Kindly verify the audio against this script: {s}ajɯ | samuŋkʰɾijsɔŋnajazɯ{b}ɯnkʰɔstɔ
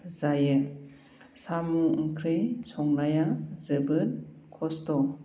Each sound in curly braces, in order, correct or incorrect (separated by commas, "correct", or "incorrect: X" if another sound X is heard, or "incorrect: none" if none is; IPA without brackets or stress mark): incorrect: z, correct